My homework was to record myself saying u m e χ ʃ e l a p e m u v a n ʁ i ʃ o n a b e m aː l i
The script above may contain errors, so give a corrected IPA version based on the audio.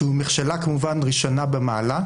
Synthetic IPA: u m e χ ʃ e l a k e m u v a n ʁ i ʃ o n a b e m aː l a

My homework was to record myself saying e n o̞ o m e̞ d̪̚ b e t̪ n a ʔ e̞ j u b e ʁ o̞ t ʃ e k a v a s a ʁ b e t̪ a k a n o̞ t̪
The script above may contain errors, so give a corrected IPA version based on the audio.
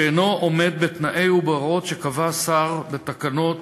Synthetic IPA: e n o̞ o m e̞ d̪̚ b e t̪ n a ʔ e̞ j u b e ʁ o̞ t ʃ e k a v a s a ʁ b e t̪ a k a n o̞ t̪

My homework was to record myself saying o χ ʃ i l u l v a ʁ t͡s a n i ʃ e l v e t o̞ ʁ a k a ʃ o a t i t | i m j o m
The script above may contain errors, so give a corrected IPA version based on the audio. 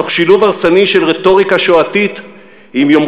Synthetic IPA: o χ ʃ i l u v a ʁ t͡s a n i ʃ e l ʁ e t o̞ ʁ i k a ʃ o a t i t | i m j o m

